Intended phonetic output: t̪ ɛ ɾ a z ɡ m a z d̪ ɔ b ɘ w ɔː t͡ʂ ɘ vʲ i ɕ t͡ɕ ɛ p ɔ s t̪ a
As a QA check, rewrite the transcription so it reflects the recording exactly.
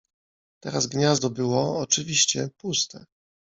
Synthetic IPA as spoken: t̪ ɛ ɾ a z ɡ ɲ a z d̪ ɔ b ɘ w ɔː t͡ʂ ɘ vʲ i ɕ t͡ɕ ɛ p u s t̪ ɛ